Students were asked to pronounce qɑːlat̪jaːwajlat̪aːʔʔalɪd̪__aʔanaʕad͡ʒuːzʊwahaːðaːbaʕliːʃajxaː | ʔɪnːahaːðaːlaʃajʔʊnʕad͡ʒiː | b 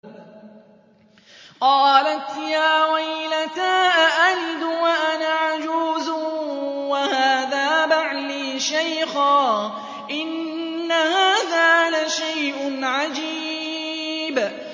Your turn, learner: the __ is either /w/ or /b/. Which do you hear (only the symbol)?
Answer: w